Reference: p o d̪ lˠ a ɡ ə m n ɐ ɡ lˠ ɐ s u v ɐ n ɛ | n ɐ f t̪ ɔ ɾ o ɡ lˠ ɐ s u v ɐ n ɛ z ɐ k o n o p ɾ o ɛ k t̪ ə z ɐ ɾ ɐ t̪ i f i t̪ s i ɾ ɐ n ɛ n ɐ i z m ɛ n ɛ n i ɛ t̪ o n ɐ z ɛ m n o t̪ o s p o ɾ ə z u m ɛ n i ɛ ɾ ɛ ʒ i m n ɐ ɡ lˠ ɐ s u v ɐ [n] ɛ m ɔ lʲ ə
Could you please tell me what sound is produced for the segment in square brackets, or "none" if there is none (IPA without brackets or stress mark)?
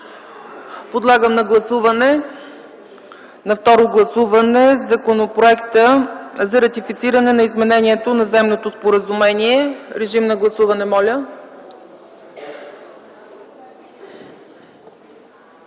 n